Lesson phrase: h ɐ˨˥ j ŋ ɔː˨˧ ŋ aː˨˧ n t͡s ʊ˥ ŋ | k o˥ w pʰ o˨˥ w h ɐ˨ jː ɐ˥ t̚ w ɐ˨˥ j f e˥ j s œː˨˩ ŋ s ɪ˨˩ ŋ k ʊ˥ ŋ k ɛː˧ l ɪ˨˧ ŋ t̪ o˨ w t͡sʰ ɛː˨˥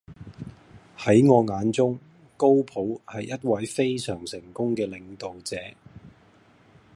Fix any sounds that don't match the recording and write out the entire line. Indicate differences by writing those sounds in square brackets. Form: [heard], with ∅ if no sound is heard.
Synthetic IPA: h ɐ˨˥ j ŋ ɔː˨˧ ŋ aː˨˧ n t͡s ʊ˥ ŋ | k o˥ w pʰ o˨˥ w h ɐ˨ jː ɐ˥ t̚ w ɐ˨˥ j f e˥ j s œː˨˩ ŋ s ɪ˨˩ ŋ k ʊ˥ ŋ k ɛː˧ l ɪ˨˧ ŋ t̪ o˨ w [t͡s] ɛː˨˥